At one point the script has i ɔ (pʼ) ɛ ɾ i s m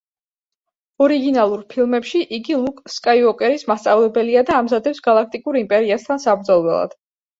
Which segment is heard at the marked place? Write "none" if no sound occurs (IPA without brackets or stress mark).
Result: kʼ